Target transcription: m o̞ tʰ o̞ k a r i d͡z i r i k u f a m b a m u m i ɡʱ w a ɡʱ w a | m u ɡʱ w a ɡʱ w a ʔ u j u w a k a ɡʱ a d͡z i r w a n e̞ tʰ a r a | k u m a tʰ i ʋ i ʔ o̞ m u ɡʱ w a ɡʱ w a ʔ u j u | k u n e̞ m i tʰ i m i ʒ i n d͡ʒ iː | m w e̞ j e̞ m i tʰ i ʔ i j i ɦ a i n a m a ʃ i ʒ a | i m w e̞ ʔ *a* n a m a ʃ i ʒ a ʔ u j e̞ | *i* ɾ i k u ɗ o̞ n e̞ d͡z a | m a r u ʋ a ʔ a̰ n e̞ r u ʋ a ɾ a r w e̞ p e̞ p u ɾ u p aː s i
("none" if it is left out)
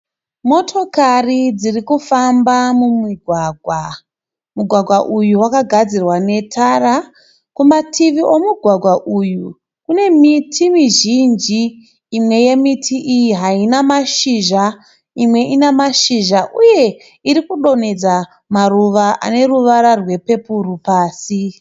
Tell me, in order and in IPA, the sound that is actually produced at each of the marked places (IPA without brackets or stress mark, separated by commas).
i, i